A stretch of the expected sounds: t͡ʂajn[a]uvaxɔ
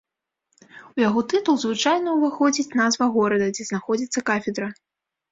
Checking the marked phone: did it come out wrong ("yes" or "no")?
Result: yes